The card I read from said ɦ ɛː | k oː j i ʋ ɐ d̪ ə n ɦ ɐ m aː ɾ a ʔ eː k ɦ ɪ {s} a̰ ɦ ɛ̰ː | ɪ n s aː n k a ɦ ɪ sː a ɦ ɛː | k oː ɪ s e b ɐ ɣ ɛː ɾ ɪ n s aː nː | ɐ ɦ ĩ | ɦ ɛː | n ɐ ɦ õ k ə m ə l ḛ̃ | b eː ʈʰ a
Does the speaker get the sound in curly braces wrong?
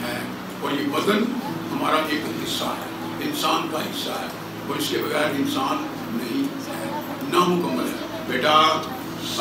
yes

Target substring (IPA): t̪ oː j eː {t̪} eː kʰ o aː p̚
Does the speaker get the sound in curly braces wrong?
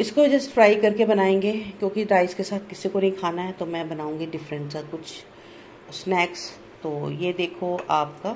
yes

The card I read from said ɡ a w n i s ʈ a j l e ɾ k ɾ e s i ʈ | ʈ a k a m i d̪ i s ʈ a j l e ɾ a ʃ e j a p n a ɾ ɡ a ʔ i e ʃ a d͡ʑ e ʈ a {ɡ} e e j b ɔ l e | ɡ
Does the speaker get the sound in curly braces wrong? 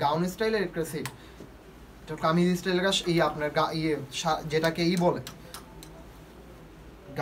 yes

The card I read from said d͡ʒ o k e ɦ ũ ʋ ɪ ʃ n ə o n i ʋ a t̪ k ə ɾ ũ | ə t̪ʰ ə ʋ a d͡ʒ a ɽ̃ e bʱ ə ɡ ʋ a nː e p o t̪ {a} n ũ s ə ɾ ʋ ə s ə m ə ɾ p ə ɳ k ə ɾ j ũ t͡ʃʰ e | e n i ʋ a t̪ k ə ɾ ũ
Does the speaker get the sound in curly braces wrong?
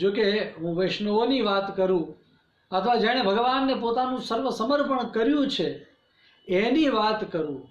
no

